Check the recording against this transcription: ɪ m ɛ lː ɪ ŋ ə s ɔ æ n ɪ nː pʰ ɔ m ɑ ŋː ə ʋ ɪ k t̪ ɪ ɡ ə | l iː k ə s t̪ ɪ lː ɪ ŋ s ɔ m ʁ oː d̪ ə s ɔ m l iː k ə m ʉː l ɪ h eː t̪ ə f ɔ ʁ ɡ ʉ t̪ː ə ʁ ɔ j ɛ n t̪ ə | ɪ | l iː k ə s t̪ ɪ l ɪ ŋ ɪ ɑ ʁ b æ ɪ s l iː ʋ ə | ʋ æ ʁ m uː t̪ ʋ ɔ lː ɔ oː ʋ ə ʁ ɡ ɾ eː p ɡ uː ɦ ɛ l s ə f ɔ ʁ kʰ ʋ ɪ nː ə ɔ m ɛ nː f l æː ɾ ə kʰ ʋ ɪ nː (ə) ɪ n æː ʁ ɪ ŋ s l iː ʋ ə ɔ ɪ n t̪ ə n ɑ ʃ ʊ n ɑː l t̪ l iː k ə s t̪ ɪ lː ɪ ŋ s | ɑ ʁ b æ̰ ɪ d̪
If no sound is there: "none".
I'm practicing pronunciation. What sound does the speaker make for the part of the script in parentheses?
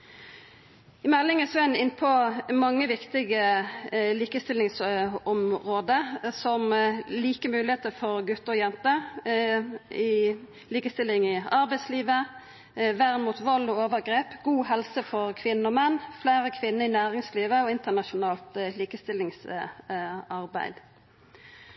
ə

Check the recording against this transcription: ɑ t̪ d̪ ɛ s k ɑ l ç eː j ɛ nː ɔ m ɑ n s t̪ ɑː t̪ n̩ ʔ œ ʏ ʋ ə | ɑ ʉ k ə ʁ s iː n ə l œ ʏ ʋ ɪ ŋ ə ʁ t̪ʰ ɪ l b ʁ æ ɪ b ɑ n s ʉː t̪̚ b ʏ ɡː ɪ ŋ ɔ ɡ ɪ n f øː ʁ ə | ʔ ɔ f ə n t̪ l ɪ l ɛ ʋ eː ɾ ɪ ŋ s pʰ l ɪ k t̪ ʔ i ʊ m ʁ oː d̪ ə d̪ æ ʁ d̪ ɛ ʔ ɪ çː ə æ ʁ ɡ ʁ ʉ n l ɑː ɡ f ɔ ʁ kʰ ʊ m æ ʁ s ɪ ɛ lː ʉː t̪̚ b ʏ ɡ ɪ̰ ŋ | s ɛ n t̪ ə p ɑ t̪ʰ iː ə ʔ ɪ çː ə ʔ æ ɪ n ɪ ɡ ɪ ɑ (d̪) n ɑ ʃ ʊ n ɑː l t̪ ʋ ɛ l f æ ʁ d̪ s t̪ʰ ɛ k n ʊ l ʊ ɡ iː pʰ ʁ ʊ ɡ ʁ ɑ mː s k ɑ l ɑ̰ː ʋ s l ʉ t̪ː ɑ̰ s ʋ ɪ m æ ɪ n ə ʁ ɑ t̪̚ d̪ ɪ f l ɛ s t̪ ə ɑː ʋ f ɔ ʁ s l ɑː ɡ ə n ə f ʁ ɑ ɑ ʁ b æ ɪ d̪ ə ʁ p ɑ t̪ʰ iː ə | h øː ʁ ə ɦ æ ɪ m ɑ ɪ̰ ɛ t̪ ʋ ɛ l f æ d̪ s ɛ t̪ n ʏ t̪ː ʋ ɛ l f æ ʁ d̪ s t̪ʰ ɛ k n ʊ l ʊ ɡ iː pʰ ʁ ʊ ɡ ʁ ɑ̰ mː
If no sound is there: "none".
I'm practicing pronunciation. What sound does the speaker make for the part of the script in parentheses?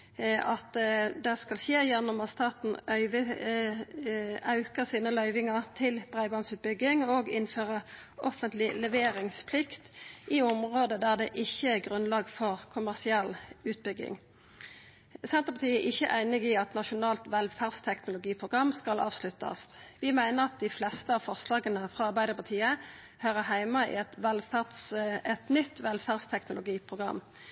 t̪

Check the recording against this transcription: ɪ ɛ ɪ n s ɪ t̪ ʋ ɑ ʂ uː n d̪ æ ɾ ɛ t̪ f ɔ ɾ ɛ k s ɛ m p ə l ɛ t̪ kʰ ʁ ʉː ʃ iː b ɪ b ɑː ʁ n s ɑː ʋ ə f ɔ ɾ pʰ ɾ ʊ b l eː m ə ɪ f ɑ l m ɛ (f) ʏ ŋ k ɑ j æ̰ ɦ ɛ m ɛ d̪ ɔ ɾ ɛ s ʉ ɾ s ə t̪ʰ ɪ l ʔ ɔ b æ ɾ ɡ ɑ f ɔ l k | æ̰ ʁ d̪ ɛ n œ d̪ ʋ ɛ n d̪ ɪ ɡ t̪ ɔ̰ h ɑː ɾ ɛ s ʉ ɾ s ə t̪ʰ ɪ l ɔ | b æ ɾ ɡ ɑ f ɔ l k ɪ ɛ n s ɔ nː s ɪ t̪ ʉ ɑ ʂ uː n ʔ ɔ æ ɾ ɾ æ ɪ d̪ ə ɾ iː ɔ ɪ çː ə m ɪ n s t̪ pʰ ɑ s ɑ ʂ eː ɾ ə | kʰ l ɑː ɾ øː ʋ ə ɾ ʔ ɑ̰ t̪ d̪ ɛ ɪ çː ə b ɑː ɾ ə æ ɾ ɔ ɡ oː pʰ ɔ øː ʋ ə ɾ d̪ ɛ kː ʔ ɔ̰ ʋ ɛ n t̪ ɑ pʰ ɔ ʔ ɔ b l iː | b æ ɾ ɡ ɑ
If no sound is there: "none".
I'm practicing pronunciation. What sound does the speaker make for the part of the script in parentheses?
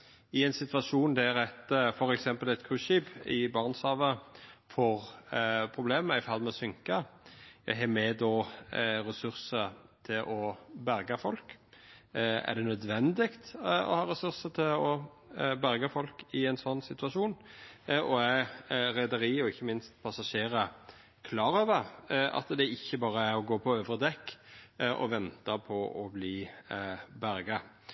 s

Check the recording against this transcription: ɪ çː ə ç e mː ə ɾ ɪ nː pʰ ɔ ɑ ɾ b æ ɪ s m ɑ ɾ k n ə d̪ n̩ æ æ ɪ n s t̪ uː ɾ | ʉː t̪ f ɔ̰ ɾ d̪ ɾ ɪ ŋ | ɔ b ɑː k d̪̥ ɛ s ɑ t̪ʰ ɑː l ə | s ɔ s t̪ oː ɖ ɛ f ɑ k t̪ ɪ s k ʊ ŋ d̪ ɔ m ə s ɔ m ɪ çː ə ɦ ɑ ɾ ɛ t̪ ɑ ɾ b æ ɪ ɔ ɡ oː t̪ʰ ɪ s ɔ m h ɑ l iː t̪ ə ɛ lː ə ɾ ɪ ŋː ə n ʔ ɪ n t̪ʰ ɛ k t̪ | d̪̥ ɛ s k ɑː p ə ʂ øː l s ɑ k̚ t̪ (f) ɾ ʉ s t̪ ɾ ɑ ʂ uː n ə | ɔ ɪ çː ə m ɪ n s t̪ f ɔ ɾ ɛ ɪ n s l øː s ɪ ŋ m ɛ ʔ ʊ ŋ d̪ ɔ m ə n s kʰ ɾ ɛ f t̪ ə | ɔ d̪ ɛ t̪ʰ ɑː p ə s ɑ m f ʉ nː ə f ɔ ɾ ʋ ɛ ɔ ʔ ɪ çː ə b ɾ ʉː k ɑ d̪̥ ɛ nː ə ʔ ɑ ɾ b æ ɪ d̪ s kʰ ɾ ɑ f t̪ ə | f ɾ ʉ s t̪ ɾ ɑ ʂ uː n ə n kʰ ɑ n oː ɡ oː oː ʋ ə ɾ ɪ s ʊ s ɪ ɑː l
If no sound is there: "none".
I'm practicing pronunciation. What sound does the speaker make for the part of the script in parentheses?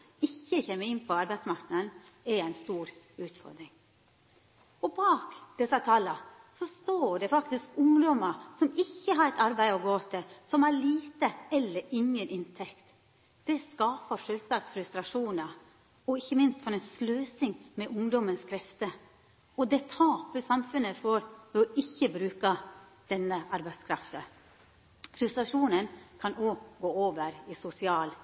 f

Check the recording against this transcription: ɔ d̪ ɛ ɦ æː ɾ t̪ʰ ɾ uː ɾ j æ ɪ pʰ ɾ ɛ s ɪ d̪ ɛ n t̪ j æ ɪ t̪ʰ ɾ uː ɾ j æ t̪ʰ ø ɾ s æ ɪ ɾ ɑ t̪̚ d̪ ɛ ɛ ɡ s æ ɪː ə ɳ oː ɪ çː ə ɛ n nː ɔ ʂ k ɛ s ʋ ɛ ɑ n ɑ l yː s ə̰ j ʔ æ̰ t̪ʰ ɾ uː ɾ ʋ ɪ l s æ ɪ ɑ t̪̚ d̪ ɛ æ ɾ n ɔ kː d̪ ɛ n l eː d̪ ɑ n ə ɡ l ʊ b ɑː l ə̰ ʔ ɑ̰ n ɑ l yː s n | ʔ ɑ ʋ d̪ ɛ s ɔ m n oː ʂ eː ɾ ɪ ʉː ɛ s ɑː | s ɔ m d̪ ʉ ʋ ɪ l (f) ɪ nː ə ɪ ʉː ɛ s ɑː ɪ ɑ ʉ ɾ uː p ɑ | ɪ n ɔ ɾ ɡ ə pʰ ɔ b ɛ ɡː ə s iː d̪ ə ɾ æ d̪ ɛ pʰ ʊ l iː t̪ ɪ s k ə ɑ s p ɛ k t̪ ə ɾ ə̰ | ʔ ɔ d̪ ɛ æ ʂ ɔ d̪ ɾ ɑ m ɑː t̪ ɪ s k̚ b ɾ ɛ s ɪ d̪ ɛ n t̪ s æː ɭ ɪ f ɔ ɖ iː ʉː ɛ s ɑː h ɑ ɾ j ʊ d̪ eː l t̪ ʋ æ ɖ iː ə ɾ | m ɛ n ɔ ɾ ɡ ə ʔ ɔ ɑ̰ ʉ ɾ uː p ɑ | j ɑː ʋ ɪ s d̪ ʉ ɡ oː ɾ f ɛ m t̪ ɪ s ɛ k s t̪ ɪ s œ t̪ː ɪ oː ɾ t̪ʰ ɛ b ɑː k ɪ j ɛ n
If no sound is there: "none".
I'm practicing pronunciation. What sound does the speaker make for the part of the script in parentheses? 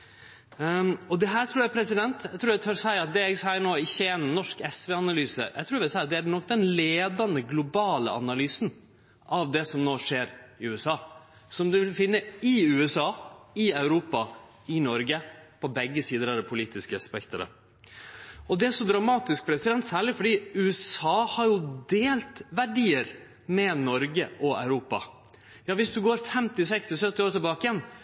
f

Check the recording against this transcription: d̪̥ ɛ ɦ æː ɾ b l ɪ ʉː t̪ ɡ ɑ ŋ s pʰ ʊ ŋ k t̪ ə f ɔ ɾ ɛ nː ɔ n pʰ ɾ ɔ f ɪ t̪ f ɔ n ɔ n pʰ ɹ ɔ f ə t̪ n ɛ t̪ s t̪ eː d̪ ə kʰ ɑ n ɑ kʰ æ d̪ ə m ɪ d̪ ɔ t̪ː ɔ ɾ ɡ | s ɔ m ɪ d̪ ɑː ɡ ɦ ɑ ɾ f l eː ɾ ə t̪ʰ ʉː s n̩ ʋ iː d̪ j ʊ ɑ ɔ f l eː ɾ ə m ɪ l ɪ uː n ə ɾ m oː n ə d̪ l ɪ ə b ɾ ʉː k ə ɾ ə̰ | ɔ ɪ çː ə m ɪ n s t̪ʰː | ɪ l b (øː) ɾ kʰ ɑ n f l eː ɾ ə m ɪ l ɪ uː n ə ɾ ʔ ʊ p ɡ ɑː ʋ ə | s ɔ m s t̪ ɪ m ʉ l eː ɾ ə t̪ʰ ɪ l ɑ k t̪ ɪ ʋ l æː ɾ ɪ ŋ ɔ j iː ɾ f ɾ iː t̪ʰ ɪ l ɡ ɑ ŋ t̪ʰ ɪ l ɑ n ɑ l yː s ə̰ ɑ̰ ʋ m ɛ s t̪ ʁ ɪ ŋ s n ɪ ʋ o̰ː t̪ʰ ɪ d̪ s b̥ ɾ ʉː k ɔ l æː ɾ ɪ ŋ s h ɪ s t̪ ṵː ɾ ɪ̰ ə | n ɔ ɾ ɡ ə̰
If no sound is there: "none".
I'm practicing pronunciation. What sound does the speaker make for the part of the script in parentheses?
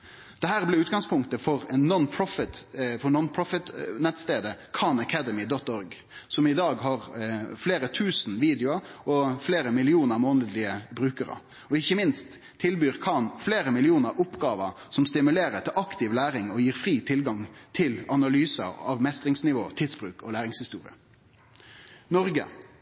yː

